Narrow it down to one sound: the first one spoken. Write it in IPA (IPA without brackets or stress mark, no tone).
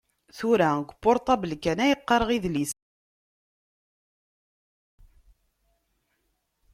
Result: θ